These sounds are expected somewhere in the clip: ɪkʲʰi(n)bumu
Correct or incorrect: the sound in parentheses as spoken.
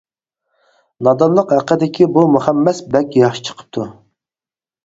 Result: incorrect: none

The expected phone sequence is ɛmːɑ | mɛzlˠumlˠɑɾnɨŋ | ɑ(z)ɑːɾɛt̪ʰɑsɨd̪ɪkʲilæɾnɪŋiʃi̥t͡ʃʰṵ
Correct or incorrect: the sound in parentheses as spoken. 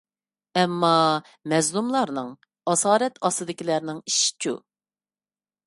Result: incorrect: s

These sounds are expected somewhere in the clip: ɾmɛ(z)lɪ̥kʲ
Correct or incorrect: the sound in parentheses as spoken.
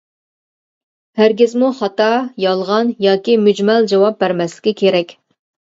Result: incorrect: s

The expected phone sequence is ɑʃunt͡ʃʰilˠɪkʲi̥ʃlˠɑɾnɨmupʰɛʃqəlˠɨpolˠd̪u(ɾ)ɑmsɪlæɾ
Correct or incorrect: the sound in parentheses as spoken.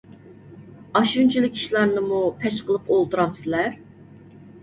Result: correct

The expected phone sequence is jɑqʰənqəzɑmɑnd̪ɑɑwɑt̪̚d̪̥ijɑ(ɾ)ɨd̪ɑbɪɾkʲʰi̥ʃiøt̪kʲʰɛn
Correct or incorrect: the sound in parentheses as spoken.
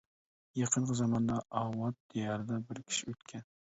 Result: correct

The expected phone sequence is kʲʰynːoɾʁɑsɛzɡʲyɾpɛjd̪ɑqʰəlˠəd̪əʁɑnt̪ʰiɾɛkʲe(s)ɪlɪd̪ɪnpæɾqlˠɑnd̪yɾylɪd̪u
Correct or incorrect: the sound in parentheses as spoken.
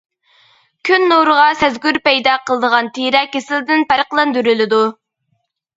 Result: correct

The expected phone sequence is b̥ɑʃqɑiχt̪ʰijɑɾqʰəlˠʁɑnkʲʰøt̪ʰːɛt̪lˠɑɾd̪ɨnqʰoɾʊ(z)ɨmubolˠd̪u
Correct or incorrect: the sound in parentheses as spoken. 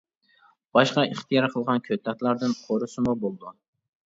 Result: incorrect: s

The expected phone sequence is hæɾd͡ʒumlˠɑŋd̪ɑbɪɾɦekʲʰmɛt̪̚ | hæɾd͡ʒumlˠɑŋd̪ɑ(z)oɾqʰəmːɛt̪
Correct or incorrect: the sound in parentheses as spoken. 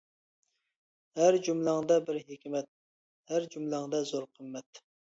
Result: correct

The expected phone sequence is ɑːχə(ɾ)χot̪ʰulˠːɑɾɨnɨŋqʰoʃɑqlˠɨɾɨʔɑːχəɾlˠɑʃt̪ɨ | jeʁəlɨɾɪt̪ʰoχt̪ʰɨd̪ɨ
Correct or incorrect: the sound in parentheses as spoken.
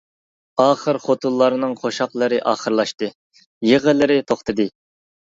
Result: correct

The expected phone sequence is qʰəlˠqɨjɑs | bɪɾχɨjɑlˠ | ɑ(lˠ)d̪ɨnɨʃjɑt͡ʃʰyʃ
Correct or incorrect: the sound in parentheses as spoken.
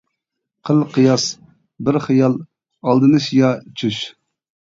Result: correct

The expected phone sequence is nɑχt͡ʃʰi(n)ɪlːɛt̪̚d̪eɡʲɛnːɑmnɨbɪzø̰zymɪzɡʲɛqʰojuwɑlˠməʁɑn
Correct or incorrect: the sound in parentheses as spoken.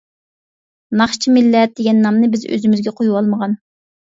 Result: incorrect: m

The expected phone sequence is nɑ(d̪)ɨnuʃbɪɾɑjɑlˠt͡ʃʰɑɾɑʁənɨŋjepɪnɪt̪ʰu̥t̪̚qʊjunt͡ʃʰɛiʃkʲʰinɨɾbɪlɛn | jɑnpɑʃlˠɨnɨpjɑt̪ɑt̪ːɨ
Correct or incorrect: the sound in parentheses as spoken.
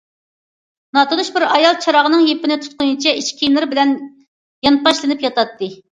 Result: incorrect: t̪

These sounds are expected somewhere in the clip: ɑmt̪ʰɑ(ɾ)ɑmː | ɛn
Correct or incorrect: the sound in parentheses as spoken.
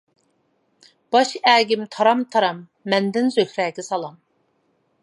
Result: correct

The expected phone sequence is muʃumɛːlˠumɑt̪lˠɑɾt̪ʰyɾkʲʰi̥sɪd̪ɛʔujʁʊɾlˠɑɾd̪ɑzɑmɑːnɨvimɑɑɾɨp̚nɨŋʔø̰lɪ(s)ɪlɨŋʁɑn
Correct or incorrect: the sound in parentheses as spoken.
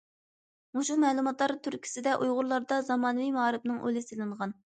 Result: correct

